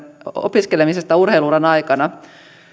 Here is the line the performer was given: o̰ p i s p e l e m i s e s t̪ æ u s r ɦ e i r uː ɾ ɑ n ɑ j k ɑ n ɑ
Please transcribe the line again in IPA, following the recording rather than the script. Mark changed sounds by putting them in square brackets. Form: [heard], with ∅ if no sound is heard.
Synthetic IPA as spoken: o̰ p i s [k] e l e m i s e s t̪ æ u [∅] r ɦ e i [l] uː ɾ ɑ n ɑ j k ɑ n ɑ